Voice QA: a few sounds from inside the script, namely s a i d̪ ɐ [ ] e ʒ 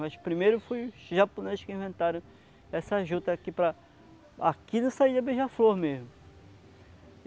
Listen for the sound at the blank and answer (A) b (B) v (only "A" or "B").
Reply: A